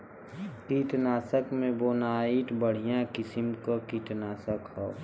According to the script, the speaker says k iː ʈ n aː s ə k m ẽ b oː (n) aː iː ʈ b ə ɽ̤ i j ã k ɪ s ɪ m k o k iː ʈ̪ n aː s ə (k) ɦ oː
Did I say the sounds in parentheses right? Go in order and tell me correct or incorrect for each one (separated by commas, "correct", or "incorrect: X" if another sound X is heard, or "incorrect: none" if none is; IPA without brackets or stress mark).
correct, correct